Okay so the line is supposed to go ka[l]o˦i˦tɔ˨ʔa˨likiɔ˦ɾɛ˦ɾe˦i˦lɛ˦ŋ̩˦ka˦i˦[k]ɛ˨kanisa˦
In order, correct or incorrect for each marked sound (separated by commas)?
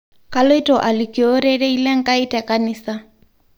correct, incorrect